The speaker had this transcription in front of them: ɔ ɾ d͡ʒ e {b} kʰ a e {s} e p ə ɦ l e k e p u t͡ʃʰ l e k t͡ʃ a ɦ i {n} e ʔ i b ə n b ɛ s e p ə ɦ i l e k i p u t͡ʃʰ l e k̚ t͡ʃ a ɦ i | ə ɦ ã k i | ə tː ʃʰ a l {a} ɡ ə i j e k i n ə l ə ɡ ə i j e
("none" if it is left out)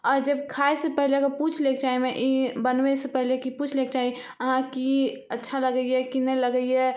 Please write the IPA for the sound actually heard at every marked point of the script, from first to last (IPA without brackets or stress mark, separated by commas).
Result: b, s, m, ə